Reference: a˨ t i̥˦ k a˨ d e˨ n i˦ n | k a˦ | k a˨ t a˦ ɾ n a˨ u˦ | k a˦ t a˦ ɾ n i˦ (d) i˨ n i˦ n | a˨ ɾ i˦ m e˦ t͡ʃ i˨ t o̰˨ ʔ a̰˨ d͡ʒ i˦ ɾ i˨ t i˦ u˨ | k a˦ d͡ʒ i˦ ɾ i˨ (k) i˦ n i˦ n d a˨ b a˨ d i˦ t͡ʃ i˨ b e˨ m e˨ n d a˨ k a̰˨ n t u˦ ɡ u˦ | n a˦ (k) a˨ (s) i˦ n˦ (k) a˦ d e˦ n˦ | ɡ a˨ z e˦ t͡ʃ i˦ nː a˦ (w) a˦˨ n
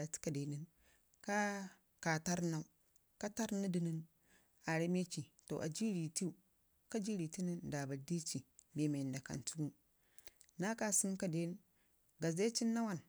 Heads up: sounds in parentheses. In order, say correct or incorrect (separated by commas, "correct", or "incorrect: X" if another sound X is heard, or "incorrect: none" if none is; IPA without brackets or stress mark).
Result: correct, incorrect: t, correct, correct, correct, correct